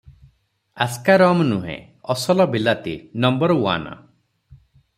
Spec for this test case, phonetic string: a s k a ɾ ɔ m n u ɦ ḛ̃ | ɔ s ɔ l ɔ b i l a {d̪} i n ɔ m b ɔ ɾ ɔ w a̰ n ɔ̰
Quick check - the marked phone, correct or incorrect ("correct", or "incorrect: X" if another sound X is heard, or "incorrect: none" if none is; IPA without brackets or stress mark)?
incorrect: t̪